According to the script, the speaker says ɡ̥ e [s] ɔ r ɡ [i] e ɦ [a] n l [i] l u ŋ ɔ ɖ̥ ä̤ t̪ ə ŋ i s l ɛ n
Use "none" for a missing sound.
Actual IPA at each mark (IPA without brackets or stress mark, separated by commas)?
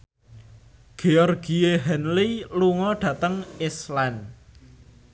none, i, ɛ, i